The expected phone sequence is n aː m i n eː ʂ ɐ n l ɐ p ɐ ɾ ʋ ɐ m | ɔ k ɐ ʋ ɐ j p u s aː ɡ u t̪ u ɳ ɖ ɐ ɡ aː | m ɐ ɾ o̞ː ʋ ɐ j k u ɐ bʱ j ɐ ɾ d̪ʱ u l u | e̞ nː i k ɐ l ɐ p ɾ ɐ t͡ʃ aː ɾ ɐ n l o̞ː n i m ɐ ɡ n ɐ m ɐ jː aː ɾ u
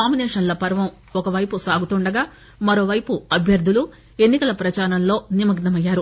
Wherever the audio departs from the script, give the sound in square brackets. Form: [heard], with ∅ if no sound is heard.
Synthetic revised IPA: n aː m i n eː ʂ ɐ n l ɐ p ɐ ɾ ʋ ɐ m | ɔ k ɐ ʋ ɐ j p u s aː ɡ u t̪ u ɳ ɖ ɐ ɡ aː | m ɐ ɾ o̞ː ʋ ɐ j [p] u ɐ bʱ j ɐ ɾ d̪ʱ u l u | e̞ nː i k ɐ l ɐ p ɾ ɐ t͡ʃ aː ɾ ɐ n l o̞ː n i m ɐ ɡ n ɐ m ɐ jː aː ɾ u